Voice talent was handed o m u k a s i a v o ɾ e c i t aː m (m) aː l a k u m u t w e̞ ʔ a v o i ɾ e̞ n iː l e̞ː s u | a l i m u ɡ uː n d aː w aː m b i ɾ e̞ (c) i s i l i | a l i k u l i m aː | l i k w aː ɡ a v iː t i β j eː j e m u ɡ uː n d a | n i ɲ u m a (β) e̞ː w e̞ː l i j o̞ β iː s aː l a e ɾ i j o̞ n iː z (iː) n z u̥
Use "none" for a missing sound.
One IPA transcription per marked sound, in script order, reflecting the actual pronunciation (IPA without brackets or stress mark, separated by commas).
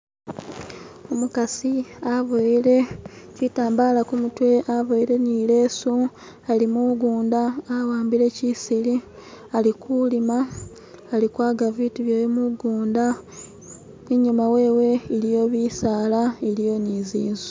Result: b, c, w, iː